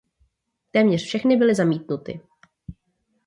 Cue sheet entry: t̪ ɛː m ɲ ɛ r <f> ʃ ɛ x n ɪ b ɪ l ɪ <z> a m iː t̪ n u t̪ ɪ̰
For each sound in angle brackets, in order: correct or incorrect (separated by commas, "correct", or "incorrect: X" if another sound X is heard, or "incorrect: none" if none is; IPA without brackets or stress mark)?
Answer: correct, correct